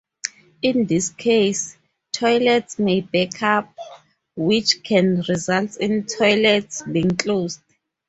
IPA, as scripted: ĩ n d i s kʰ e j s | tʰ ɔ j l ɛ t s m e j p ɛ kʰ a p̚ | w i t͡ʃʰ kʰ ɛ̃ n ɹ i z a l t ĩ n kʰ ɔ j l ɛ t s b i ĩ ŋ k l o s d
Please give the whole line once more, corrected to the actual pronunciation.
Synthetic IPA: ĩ n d i s kʰ e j s | tʰ ɔ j l ɛ t s m e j b ɛ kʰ a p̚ | w i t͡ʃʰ kʰ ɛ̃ n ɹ i z a l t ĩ n tʰ ɔ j l ɛ t s b i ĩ ŋ k l o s d